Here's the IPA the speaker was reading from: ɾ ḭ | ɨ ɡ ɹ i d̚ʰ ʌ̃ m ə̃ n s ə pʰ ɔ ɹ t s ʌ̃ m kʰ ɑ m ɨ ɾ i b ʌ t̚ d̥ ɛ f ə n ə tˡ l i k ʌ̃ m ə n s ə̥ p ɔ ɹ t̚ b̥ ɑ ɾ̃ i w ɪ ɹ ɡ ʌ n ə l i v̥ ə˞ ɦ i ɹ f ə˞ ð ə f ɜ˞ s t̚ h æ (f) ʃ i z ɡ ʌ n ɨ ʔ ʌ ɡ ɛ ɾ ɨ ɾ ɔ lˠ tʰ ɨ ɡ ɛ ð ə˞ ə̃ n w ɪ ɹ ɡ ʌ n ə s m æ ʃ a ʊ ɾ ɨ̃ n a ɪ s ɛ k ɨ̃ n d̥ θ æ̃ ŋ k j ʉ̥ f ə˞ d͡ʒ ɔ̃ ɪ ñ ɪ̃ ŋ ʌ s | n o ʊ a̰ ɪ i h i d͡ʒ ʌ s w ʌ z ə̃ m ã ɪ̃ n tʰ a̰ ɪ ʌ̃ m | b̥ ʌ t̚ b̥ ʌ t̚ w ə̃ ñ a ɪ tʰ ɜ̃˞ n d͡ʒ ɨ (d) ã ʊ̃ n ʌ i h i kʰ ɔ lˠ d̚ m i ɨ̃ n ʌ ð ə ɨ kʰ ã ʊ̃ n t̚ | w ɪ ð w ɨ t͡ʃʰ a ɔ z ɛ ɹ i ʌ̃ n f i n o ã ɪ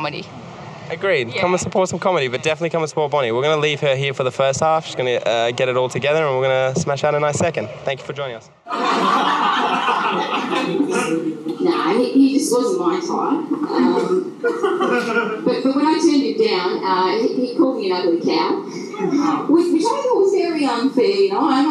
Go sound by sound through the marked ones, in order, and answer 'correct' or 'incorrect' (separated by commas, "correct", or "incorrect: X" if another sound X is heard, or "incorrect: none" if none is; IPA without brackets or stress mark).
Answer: correct, correct